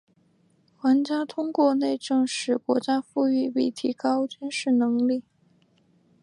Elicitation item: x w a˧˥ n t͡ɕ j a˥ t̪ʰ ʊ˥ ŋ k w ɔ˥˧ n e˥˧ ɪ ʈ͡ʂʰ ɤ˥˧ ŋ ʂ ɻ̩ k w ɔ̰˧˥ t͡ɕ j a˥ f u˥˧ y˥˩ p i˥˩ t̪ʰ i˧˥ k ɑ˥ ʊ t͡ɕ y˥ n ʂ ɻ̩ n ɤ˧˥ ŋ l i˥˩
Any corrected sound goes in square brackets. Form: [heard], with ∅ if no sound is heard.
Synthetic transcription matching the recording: x w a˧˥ n t͡ɕ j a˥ t̪ʰ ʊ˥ ŋ k w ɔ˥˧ n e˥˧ ɪ [ʈ͡ʂ] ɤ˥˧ ŋ ʂ ɻ̩ k w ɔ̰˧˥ t͡ɕ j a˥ f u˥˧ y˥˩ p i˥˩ t̪ʰ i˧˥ k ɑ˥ ʊ t͡ɕ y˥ n ʂ ɻ̩ n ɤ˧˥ ŋ l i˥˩

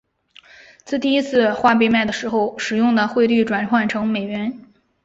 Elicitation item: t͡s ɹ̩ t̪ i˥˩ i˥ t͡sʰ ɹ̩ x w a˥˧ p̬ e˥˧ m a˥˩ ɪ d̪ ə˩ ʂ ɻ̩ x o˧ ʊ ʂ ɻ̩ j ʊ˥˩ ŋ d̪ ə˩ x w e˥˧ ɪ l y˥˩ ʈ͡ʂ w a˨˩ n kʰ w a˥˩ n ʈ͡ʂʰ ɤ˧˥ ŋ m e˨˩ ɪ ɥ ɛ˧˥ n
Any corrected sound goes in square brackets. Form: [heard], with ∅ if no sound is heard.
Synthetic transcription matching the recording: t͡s ɹ̩ t̪ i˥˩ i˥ t͡sʰ ɹ̩ x w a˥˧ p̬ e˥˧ m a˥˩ ɪ d̪ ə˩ ʂ ɻ̩ x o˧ ʊ ʂ ɻ̩ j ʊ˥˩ ŋ d̪ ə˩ x w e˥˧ ɪ l y˥˩ ʈ͡ʂ w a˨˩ n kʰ w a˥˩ n ʈ͡ʂʰ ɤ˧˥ ŋ m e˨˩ ɪ ɥ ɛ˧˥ n

